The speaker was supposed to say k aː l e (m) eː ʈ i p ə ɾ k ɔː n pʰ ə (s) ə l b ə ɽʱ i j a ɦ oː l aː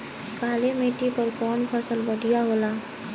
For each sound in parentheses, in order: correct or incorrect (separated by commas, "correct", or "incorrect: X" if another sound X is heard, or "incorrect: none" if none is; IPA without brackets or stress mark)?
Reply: correct, correct